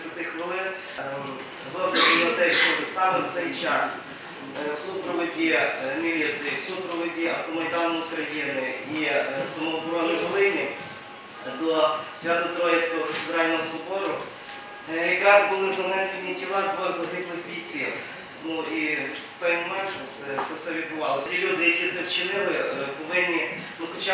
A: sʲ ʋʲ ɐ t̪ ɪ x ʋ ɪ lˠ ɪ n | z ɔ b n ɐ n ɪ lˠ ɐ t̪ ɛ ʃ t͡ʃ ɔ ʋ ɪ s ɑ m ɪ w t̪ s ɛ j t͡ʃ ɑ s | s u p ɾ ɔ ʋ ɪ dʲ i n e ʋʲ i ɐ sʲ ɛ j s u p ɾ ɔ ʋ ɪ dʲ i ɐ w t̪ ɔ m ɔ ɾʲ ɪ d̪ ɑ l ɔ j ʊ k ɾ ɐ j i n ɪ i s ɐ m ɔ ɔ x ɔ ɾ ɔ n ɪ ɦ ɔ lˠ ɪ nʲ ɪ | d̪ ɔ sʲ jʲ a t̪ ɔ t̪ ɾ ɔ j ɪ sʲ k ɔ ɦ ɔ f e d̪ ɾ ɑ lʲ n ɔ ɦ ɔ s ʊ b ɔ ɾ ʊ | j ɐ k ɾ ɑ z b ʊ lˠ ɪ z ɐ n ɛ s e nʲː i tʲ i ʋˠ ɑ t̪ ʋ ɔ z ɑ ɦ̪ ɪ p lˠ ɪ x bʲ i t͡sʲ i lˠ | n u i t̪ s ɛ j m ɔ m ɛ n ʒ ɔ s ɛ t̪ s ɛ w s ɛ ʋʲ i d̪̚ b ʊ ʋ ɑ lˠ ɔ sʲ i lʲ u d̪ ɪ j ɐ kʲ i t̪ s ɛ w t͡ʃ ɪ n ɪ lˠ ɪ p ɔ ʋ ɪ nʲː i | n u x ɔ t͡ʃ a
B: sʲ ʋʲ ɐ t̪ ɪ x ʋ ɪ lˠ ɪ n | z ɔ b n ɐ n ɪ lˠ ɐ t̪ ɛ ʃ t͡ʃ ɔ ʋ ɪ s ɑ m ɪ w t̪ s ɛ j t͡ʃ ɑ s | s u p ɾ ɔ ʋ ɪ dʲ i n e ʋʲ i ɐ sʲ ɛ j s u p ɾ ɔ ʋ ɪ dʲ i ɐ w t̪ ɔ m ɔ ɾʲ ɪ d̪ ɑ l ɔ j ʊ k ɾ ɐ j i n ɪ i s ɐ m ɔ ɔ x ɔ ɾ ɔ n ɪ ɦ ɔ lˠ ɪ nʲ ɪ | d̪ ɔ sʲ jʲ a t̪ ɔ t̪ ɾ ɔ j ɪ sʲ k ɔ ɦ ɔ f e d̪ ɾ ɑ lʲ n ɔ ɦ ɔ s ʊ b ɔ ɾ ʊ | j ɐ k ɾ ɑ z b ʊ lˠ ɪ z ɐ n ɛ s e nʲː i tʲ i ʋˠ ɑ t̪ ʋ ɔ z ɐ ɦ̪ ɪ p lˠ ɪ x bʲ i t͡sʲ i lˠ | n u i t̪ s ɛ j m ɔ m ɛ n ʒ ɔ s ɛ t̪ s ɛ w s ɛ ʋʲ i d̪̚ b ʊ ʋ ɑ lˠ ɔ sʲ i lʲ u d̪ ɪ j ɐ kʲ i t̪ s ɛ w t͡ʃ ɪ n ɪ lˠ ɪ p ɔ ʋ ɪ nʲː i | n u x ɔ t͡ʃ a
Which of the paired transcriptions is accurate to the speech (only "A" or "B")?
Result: B